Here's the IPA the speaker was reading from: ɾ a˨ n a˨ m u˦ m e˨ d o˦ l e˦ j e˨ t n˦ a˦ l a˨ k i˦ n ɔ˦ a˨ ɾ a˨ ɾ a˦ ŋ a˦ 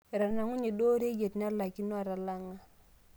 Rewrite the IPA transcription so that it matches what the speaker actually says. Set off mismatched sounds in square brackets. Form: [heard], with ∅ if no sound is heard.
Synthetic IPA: ɾ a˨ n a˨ [ŋ] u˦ [ɲ] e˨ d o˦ [ɾ] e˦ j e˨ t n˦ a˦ l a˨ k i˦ n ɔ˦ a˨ ɾ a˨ [l] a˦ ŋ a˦